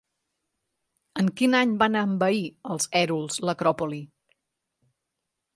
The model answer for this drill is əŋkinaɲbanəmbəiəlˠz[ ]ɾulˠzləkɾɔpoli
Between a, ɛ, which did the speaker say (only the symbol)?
ɛ